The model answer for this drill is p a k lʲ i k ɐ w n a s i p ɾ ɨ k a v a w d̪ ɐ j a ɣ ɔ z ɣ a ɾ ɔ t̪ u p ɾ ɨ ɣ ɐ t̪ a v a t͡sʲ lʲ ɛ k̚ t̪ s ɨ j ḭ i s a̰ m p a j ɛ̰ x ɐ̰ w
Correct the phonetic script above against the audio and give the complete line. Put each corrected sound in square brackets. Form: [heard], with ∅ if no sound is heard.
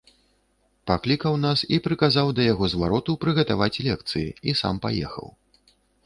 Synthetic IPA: p a k lʲ i k ɐ w n a s i p ɾ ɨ k a [z] a w d̪ ɐ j a ɣ ɔ z [v] a ɾ ɔ t̪ u p ɾ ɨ ɣ ɐ t̪ a v a t͡sʲ lʲ ɛ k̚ t̪ s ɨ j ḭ i s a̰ m p a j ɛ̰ x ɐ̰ w